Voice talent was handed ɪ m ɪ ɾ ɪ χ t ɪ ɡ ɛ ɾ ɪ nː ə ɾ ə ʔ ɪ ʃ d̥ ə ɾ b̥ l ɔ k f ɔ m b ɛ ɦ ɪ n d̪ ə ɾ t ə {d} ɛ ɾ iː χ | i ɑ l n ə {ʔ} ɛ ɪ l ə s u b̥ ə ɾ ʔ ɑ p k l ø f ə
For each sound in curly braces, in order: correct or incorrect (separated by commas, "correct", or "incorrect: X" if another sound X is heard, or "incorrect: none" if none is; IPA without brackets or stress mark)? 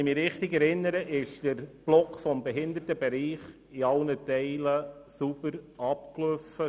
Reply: incorrect: b, incorrect: t